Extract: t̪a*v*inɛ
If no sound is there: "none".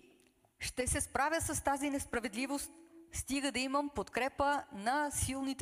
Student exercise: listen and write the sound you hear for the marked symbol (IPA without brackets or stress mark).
z